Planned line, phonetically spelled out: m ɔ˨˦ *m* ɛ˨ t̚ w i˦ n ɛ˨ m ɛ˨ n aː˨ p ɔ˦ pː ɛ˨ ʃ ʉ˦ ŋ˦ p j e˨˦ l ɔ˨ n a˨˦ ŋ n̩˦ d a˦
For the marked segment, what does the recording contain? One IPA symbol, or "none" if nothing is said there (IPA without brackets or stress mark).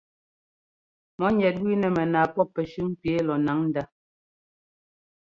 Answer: ɲ